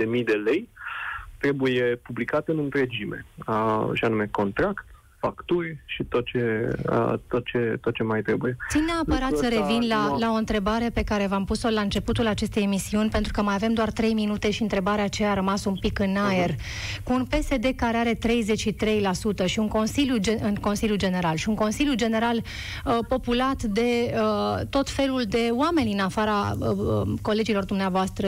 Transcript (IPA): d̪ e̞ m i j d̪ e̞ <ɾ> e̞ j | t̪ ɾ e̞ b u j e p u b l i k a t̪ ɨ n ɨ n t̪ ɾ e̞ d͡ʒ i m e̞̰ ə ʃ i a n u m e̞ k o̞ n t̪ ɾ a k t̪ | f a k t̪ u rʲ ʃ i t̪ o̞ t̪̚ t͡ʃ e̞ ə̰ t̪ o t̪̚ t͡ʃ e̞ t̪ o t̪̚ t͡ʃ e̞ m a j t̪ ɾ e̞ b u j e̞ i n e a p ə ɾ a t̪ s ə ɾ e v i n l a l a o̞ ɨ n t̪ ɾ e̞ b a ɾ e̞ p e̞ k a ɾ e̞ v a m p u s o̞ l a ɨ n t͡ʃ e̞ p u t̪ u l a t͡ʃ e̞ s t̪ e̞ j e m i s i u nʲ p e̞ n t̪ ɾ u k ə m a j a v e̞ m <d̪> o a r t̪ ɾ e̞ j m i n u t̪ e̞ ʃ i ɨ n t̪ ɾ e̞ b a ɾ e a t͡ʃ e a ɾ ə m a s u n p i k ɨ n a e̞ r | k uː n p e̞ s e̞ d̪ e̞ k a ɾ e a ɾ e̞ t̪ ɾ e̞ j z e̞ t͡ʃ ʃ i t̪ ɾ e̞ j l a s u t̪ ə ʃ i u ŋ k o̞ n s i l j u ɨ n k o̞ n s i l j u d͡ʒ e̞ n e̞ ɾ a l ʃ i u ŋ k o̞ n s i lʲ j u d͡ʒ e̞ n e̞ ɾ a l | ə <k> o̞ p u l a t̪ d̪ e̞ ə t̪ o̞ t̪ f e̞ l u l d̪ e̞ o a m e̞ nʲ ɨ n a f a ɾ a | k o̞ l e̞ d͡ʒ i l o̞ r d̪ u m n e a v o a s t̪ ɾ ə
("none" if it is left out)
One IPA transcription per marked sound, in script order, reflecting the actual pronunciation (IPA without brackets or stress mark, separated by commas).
l, d̪, p